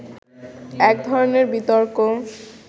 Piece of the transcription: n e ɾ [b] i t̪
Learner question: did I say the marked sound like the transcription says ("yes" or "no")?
yes